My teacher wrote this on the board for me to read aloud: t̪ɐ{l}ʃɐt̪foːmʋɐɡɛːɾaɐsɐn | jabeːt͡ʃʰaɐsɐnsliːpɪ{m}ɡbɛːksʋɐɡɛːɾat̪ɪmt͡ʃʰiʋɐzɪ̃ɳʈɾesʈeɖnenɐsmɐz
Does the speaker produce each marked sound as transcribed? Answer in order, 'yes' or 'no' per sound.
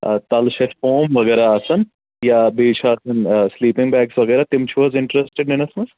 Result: yes, no

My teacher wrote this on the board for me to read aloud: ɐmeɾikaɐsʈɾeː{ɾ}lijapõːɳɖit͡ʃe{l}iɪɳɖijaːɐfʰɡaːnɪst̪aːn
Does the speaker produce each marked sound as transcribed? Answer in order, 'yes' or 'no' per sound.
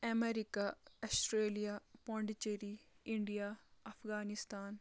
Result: no, no

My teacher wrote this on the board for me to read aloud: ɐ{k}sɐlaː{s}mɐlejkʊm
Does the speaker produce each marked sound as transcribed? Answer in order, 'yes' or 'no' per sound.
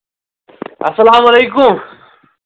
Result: no, no

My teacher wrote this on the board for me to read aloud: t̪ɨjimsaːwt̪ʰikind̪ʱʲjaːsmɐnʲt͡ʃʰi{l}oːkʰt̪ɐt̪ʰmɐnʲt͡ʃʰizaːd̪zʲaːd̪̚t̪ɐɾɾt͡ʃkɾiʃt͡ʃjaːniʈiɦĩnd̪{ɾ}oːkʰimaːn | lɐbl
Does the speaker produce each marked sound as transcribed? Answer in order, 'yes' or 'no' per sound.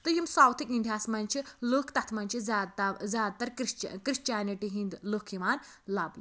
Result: yes, no

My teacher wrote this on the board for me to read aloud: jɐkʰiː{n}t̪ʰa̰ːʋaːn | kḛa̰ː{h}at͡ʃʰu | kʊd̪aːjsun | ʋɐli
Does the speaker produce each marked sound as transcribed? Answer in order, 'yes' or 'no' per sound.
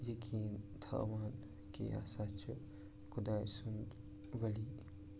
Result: yes, no

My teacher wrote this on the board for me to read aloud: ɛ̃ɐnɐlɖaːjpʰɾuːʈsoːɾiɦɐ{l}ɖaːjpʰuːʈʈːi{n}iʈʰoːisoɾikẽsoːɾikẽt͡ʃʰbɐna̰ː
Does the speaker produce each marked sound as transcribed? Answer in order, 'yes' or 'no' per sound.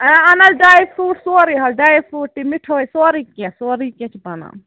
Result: yes, no

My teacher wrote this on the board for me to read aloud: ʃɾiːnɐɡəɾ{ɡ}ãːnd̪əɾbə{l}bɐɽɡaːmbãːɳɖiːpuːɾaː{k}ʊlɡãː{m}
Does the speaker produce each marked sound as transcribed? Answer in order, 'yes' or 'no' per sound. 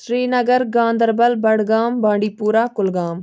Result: yes, yes, yes, yes

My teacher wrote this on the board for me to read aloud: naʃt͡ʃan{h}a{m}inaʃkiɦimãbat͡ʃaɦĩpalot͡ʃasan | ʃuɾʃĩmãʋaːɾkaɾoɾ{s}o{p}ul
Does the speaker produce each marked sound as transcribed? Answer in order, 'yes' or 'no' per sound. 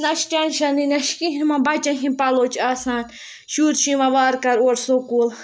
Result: no, no, yes, no

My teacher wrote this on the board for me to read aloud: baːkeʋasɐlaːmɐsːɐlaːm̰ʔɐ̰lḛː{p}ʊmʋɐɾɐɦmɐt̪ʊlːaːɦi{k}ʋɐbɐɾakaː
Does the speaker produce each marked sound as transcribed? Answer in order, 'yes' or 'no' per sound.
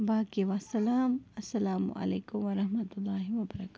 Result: no, no

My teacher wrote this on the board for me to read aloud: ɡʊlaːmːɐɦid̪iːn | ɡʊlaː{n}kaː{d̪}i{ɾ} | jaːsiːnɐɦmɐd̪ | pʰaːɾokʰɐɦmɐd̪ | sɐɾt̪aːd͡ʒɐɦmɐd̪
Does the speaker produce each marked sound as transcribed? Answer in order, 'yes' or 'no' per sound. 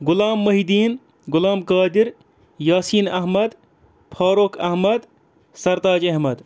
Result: no, yes, yes

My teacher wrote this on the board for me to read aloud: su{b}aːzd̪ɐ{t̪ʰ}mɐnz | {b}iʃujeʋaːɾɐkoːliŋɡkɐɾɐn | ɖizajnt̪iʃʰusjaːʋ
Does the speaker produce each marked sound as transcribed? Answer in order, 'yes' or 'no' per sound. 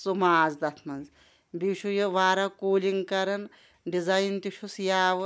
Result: no, yes, yes

